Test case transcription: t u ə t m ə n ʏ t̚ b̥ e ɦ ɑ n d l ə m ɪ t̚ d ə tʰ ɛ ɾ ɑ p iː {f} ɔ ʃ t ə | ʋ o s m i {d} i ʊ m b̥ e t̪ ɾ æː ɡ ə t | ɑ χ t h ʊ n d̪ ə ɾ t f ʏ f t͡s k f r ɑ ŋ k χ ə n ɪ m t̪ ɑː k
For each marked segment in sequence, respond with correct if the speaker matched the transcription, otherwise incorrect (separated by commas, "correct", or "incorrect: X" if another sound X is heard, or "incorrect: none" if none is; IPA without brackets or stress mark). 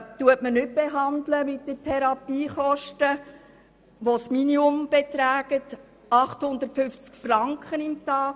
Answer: incorrect: χ, incorrect: n